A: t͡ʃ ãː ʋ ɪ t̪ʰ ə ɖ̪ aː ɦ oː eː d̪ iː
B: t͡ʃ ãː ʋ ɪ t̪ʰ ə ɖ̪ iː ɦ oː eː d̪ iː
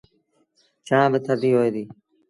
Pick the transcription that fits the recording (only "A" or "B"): B